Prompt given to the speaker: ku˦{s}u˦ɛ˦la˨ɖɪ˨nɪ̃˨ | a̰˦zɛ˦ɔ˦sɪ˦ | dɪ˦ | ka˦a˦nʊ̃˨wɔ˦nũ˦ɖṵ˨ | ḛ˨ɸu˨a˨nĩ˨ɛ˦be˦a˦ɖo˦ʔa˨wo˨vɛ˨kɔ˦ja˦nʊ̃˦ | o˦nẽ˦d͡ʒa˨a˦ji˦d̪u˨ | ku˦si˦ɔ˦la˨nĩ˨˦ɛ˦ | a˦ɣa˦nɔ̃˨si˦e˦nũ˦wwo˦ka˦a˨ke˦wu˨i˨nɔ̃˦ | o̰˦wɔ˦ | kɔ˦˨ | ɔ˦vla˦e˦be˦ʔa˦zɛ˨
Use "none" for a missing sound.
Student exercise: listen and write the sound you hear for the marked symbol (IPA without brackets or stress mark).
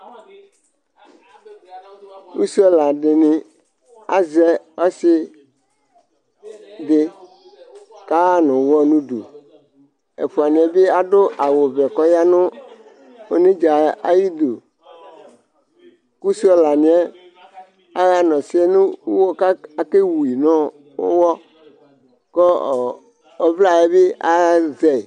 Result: s